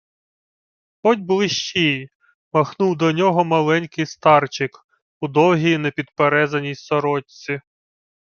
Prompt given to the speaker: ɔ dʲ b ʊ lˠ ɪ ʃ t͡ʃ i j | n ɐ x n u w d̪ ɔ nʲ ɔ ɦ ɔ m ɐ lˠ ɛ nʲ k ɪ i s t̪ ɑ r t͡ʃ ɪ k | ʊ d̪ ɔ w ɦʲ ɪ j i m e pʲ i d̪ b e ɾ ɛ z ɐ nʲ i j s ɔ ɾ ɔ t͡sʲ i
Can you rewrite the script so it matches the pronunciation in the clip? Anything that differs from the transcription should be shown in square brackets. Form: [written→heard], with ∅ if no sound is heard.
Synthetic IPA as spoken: ɔ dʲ b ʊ lˠ ɪ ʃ t͡ʃ i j | [n→m] ɐ x n u w d̪ ɔ nʲ ɔ ɦ ɔ m ɐ lˠ ɛ nʲ k ɪ [i→j] s t̪ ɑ r t͡ʃ ɪ k | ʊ d̪ ɔ w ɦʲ [ɪ→i] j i [m→n] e pʲ i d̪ [b→p] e ɾ ɛ z ɐ nʲ i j s ɔ ɾ ɔ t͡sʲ i